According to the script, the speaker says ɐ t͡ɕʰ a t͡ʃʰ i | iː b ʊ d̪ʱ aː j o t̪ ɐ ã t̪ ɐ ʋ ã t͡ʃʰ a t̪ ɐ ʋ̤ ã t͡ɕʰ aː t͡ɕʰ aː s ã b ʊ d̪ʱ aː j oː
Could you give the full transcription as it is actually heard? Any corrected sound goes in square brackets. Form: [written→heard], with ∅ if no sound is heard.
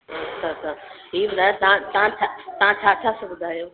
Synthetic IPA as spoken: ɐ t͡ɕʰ a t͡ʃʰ [i→a] | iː b ʊ d̪ʱ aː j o t̪ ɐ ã t̪ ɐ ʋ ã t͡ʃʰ a t̪ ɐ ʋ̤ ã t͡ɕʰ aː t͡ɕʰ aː s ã b ʊ d̪ʱ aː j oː